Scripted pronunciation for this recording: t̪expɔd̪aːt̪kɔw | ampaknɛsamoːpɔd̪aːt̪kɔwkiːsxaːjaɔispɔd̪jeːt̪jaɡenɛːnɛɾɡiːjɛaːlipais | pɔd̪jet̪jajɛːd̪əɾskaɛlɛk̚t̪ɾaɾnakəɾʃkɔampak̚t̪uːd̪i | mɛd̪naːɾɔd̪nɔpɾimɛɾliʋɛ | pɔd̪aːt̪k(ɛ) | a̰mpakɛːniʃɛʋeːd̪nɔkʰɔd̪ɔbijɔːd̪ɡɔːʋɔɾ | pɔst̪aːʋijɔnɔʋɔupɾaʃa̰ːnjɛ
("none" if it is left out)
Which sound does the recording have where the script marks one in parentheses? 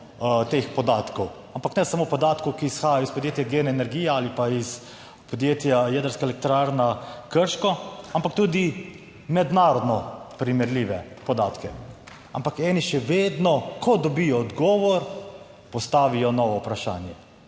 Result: ɛ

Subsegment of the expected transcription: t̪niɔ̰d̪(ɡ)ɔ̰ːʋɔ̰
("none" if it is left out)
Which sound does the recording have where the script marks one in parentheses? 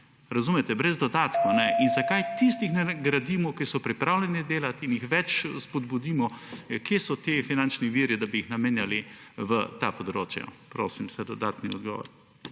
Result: ɡ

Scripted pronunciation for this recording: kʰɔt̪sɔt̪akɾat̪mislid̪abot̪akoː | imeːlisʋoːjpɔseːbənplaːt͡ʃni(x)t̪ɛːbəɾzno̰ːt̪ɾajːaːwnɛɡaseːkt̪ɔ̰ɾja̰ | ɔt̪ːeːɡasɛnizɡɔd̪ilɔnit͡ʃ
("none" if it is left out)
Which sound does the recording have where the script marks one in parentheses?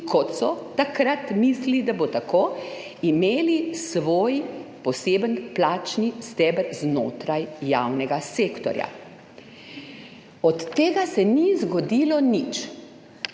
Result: s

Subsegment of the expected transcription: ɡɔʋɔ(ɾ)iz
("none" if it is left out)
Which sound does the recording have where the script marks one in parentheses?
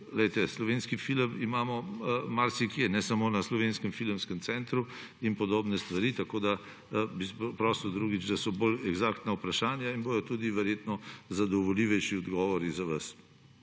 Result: ɾ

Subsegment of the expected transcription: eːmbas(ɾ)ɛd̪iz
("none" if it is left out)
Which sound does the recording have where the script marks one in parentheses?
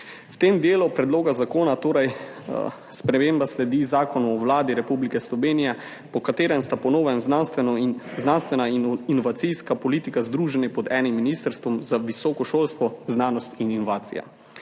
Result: l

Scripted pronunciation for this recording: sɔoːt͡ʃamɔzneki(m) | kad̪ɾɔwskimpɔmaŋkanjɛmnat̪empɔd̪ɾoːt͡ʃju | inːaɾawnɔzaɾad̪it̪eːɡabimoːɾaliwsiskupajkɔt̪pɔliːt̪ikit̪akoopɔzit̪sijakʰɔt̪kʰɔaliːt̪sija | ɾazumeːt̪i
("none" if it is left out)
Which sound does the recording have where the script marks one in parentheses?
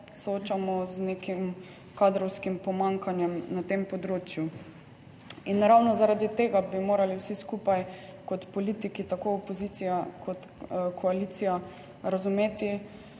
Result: m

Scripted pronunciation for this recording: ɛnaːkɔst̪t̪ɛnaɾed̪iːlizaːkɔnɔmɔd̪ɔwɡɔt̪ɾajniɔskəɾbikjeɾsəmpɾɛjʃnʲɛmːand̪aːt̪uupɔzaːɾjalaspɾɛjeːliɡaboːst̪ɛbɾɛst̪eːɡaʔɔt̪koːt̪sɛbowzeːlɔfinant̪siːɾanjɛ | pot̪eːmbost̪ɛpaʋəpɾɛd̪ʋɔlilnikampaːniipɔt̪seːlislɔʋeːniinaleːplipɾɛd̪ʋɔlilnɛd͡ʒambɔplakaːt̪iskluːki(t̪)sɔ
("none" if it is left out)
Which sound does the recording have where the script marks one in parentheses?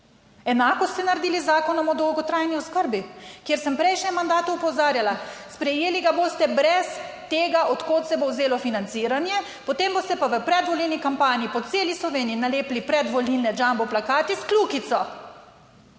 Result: t̪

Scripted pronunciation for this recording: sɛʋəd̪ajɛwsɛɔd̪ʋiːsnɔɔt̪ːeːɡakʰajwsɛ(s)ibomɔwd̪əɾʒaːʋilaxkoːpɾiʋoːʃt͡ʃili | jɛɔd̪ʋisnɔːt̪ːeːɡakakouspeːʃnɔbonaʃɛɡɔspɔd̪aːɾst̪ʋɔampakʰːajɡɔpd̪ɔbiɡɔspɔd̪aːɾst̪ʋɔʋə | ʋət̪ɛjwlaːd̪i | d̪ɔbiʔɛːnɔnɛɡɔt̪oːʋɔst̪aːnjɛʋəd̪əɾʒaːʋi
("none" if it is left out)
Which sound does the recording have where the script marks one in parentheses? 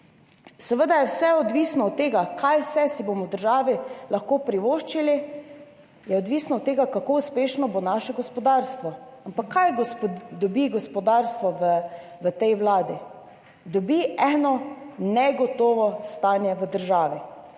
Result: s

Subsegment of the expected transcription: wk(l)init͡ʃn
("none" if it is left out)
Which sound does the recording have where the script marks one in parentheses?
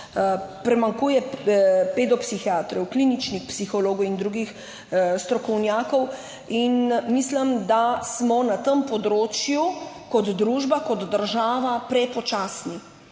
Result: l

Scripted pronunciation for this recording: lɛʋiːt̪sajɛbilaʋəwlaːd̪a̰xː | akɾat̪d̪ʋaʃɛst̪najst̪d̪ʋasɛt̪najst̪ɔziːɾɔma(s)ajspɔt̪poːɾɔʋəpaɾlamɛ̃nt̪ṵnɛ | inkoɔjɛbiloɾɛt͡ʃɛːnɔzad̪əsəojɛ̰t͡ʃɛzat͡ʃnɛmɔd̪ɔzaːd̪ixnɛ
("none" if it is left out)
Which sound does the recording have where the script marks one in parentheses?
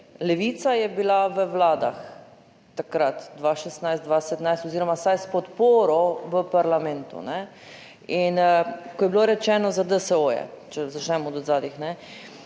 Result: s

